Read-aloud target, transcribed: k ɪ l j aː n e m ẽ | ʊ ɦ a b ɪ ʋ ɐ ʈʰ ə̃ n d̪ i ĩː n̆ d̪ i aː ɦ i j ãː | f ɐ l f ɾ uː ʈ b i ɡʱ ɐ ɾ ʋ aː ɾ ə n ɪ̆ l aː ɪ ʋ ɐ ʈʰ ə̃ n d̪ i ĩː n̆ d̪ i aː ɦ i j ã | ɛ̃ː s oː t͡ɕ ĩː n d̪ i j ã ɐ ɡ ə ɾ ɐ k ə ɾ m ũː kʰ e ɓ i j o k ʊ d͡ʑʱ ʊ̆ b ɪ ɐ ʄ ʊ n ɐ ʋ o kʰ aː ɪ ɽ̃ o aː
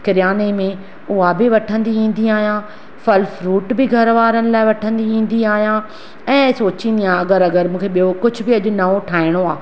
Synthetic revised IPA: k ɪ ɾ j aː n e m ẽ | ʊ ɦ a b ɪ ʋ ɐ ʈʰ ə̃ n d̪ i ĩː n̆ d̪ i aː ɦ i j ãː | f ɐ l f ɾ uː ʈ b ɪ ɡʱ ɐ ɾ ʋ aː ɾ ə n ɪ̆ l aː ɪ ʋ ɐ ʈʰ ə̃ n d̪ i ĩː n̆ d̪ i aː ɦ i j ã | ɛ̃ː s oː t͡ɕ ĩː n d̪ i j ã ɐ ɡ ə ɾ ɐ ɡ ə ɾ m ũː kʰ e ɓ i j o k ʊ d͡ʑʱ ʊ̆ b ɪ ɐ ʄ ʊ n ɐ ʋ o ʈʰ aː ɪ ɽ̃ o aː